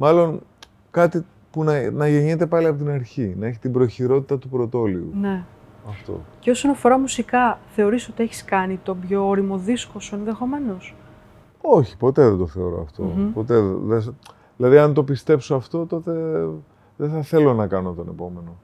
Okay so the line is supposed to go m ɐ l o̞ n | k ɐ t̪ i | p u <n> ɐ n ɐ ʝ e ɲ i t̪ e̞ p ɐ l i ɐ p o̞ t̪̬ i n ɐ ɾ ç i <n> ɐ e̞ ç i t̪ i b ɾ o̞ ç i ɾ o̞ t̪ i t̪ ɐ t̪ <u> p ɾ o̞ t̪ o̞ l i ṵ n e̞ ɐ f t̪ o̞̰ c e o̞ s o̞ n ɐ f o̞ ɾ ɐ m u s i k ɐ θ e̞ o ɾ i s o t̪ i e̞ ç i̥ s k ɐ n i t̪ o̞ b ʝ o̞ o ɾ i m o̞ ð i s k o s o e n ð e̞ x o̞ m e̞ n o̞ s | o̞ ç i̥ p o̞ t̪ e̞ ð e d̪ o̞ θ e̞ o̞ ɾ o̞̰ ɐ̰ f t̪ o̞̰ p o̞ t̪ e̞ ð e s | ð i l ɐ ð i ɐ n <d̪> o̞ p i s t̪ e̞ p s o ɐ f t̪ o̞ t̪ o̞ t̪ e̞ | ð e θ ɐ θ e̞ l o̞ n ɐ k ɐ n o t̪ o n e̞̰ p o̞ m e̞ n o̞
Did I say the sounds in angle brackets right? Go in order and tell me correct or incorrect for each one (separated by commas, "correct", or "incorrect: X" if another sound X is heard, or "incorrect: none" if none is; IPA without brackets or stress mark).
correct, correct, correct, incorrect: t̪